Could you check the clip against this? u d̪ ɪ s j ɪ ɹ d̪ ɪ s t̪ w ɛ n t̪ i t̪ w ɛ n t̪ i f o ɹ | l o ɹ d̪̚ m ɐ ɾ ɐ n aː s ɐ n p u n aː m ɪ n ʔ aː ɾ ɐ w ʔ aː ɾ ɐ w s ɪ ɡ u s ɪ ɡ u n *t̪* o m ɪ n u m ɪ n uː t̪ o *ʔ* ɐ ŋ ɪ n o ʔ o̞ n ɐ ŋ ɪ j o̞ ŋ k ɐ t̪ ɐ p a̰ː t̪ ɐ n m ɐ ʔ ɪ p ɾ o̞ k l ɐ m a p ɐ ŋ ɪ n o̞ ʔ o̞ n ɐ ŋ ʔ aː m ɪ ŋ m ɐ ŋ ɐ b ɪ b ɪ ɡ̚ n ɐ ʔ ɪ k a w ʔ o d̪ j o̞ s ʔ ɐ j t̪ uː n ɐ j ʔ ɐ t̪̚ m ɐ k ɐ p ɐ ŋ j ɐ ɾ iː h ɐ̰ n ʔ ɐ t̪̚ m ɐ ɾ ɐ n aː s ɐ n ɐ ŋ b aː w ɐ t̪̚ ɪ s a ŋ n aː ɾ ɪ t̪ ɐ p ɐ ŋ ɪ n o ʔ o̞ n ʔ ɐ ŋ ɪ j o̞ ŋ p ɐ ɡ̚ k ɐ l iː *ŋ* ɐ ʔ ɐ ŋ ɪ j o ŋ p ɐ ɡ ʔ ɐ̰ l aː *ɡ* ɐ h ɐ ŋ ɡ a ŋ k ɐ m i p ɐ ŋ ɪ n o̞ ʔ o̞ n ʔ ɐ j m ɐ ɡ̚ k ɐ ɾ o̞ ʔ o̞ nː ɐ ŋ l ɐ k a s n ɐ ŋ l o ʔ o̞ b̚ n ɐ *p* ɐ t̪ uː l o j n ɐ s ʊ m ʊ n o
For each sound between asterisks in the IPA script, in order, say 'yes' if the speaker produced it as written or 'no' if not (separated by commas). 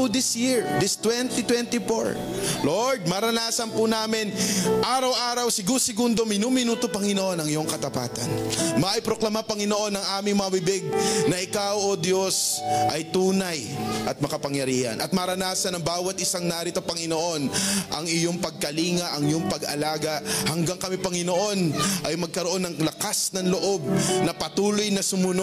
no, no, yes, yes, yes